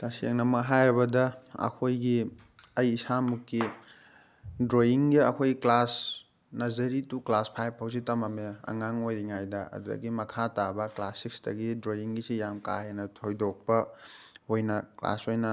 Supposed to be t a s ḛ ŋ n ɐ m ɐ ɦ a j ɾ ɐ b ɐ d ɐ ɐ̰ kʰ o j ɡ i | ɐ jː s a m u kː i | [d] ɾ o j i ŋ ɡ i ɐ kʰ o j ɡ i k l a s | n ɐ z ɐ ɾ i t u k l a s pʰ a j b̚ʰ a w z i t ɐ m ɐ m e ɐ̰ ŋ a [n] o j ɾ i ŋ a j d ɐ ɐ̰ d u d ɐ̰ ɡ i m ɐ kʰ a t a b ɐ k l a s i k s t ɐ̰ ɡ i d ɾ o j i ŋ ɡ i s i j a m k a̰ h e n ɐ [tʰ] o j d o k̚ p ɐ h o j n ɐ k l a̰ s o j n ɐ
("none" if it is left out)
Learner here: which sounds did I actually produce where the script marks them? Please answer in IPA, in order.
d, ŋ, tʰ

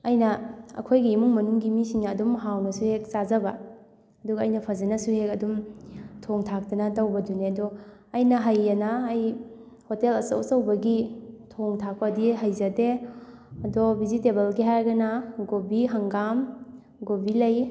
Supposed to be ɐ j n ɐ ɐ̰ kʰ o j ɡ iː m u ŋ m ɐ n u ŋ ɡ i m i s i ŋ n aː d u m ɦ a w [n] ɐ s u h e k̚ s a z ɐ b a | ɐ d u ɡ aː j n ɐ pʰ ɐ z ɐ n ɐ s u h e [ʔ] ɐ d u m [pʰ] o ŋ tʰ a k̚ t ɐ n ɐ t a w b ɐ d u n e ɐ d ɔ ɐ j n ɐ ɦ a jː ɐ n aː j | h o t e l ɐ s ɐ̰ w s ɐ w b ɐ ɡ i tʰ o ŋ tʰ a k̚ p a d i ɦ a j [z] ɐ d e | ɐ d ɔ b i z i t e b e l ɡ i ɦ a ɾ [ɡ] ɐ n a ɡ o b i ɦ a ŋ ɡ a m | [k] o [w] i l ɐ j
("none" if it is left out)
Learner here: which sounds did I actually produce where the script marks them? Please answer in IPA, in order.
n, k, tʰ, z, ɡ, ɡ, b

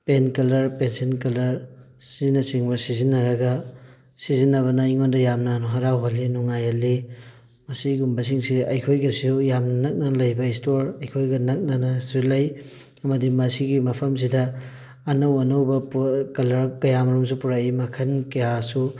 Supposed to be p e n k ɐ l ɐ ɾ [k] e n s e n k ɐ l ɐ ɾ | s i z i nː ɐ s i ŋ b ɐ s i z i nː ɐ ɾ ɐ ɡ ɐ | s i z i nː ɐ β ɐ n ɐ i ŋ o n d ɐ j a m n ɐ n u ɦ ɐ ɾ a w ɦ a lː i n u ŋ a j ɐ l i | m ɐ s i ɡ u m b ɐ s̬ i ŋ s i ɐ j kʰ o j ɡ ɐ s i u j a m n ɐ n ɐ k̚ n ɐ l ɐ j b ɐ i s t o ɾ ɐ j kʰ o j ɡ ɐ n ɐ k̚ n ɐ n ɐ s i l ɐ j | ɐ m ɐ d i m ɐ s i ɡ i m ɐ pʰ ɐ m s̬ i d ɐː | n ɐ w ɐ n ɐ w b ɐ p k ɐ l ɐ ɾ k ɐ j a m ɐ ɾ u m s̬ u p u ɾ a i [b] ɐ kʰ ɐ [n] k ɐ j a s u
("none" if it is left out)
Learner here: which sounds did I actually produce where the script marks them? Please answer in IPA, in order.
p, m, n

